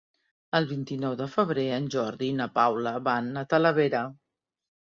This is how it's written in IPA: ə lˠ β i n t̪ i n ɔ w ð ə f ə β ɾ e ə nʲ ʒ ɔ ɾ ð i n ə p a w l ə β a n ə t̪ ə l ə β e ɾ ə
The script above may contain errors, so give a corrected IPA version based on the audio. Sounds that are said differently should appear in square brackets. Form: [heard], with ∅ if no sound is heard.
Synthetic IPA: ə lˠ β i n t̪ i n ɔ w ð ə f ə β ɾ e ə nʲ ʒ ɔ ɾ ð i n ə p a w l ə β a n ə t̪ ə l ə β e ɾ ə